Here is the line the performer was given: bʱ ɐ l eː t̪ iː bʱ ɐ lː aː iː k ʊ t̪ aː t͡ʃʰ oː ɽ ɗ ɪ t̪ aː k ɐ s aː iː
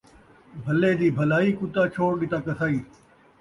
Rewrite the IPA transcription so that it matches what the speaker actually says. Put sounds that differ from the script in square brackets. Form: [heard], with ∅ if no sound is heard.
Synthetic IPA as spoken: bʱ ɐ l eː [d̪] iː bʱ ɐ [l] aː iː k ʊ t̪ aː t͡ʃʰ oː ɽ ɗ ɪ t̪ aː k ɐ s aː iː